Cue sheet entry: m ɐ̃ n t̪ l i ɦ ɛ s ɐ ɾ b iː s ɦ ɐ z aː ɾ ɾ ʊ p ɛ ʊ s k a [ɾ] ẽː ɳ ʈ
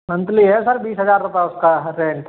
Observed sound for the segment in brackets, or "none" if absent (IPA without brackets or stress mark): ɾ